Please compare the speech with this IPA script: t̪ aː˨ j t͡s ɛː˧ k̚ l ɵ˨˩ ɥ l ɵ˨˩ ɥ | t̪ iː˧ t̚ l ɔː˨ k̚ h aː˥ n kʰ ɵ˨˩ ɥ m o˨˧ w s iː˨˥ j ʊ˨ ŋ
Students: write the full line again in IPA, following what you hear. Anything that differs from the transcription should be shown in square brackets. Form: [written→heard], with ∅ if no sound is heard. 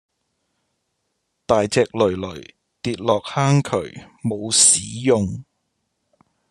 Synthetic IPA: t̪ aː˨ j t͡s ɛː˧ k̚ l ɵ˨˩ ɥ l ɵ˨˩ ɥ | t̪ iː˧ t̚ l ɔː˨ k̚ h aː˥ [n→ŋ] kʰ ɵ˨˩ ɥ m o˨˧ w s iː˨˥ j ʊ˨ ŋ